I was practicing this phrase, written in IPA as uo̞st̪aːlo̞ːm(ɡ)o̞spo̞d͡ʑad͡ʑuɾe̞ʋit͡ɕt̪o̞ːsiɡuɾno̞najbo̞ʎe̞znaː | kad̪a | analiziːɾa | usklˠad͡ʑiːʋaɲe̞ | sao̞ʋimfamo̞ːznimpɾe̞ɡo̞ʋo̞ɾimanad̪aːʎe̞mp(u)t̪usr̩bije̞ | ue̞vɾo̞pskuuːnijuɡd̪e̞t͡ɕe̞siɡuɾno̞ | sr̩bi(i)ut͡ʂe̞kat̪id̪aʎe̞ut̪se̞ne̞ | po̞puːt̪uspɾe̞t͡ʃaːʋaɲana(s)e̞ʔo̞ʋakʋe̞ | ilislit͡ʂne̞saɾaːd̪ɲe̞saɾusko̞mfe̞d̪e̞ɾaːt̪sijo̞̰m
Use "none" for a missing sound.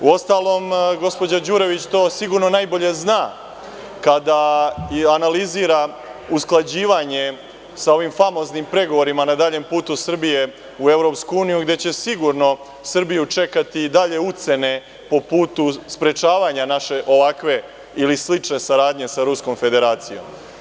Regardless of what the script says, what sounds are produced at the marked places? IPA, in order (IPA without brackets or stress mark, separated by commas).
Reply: ɡ, uː, j, ʃ